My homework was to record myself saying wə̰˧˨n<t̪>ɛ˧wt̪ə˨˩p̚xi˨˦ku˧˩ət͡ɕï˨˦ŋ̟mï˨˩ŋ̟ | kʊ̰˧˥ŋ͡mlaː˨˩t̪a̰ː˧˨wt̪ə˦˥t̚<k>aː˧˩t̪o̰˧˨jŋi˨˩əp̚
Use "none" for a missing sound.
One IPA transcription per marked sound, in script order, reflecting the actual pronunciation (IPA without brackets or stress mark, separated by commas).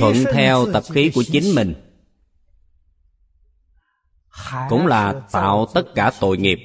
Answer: t̪ʰ, k